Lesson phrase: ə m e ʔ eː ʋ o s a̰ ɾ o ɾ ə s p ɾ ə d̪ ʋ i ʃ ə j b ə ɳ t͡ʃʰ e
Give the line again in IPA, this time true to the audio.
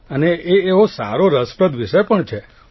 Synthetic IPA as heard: ə n e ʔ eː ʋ o s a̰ ɾ o ɾ ə s p ɾ ə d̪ ʋ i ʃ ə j p ə ɳ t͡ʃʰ e